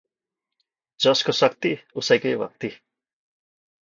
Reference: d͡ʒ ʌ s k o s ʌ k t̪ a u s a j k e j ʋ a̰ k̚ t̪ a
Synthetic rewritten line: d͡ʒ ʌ s k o s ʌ k t̪ i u s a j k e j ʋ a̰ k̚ t̪ i